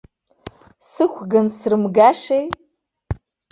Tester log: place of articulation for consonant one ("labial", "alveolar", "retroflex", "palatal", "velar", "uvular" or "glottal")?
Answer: alveolar